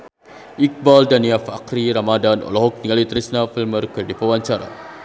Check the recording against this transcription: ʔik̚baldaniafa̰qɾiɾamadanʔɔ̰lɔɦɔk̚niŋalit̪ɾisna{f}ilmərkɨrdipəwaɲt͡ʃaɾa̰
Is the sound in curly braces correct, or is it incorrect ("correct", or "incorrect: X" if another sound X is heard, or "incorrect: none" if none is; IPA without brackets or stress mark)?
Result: correct